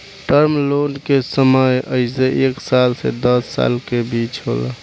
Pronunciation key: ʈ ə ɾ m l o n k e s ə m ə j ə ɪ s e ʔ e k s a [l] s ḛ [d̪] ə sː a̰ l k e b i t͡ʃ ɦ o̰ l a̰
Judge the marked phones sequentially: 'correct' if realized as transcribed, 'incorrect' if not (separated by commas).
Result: correct, correct